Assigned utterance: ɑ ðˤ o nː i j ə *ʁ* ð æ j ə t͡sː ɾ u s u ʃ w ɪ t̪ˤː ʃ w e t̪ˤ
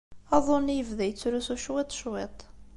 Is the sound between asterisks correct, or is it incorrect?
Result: incorrect